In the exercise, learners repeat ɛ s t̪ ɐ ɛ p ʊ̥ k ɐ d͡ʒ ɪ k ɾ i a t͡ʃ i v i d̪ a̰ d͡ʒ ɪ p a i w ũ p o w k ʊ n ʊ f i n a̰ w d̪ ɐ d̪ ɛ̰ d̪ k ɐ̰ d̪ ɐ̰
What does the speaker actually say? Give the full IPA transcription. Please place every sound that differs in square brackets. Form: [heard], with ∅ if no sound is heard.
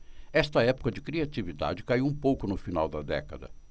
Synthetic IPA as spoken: ɛ s t̪ ɐ ɛ p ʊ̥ k ɐ d͡ʒ ɪ k ɾ i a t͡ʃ i v i d̪ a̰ d͡ʒ ɪ [k] a i w ũ p o w k ʊ n ʊ f i n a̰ w d̪ ɐ d̪ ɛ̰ [∅] k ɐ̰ d̪ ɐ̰